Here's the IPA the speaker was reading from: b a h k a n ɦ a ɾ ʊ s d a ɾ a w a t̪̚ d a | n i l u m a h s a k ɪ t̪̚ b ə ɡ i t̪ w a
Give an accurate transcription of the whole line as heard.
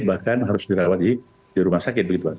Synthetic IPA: b a h k a n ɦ a ɾ ʊ s d i ɾ a w a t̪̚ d i | d i ɾ u m a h s a k ɪ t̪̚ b ə ɡ i t̪ u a